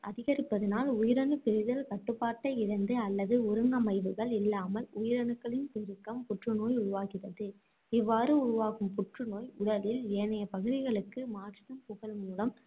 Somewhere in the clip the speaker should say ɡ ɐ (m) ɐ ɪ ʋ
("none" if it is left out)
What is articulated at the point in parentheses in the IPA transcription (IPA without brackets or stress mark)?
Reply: m